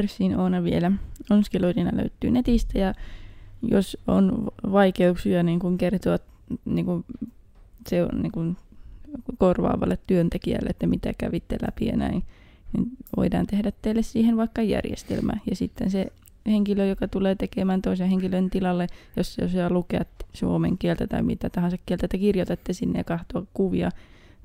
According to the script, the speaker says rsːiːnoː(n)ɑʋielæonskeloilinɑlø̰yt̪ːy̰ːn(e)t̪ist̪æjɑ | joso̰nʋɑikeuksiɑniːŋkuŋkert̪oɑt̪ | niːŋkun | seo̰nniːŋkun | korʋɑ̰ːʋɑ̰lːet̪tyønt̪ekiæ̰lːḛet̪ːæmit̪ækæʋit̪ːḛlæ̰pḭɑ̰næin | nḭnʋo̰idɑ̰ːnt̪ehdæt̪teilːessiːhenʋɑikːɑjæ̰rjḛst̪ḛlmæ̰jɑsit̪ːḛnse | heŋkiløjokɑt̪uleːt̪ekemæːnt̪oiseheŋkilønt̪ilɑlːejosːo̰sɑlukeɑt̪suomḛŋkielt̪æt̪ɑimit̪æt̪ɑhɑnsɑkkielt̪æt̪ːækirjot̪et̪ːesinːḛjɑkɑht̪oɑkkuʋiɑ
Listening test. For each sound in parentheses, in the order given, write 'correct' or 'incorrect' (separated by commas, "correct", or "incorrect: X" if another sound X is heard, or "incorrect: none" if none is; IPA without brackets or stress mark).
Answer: correct, correct